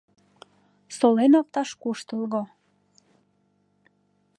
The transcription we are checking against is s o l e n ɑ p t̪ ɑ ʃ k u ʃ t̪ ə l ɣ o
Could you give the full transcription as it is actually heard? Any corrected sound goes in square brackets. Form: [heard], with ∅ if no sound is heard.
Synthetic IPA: s o l e n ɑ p t̪ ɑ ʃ k u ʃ t̪ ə l ɣ o